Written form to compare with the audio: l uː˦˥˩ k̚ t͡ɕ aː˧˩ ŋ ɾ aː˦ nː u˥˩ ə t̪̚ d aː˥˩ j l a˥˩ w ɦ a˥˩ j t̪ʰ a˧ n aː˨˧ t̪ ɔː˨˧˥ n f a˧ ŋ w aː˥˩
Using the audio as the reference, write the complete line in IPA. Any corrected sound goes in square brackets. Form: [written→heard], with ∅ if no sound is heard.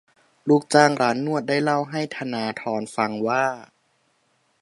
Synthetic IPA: l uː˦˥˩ k̚ t͡ɕ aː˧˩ ŋ ɾ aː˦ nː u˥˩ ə t̪̚ d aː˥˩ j l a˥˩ w ɦ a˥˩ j t̪ʰ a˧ n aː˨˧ [t̪→t̪ʰ] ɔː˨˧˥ n f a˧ ŋ w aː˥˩